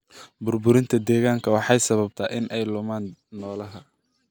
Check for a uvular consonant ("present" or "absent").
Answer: absent